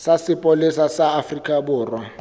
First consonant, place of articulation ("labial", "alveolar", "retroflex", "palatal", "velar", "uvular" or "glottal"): alveolar